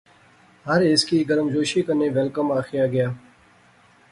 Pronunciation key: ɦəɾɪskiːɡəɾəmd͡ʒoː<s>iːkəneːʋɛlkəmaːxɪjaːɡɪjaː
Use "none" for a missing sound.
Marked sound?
ʃ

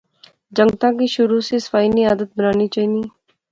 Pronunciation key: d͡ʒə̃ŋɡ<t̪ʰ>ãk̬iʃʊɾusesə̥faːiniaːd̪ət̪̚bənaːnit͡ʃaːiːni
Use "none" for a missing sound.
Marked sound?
t̪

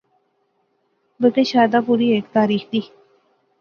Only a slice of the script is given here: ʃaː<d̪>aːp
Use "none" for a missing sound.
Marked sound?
d̪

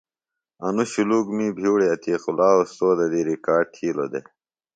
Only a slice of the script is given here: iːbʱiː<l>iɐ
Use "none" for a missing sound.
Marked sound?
ɽ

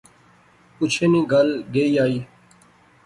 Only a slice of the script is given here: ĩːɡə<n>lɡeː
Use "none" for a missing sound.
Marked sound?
none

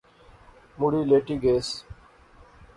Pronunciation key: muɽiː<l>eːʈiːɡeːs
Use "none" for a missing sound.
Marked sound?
l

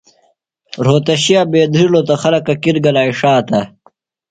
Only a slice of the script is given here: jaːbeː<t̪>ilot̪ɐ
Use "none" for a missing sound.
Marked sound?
d̪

